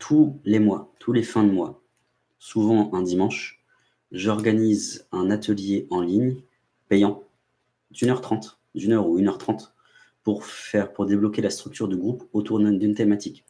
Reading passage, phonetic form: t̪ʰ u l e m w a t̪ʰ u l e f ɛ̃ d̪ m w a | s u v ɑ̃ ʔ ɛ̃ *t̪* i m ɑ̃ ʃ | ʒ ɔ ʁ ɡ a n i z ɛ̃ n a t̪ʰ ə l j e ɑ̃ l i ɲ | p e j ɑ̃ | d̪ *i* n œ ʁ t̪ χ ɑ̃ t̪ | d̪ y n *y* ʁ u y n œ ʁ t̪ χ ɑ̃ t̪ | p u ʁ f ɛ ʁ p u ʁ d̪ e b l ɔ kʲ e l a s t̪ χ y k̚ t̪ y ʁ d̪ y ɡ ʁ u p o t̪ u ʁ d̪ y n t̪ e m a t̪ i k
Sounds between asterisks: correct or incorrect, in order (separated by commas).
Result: incorrect, incorrect, incorrect